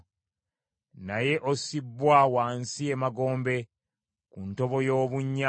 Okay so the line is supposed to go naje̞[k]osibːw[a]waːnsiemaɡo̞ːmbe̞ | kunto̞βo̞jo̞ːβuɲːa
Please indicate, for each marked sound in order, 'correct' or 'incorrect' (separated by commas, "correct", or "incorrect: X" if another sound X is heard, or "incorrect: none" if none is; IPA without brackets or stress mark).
incorrect: ʔ, correct